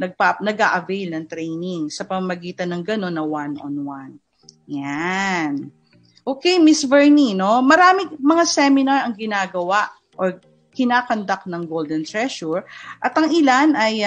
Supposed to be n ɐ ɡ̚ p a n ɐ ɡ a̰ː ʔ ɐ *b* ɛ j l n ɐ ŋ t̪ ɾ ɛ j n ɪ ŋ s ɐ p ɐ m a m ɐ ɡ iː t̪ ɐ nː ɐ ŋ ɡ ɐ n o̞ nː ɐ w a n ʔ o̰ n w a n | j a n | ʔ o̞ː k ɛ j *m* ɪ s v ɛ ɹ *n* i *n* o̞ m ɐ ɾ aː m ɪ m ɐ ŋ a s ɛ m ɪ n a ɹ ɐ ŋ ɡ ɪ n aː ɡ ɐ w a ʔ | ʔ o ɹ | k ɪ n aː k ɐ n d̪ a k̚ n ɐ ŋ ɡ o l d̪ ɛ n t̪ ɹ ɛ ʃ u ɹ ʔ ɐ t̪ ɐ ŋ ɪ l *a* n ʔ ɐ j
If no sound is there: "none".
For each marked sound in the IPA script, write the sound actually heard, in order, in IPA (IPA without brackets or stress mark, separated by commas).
v, m, n, n, a